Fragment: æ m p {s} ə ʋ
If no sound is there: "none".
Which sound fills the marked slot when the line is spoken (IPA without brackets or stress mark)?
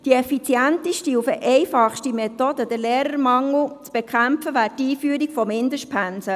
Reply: f